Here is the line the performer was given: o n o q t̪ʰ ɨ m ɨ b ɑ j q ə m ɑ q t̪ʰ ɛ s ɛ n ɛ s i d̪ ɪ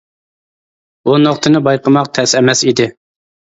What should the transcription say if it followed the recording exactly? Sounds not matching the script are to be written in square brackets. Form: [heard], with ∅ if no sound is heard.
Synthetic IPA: [u] n o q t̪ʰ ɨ [n] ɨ b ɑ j q ə m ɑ q t̪ʰ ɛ s ɛ [m] ɛ s i d̪ ɪ